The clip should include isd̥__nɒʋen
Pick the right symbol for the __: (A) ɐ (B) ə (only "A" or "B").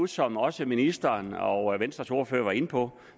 A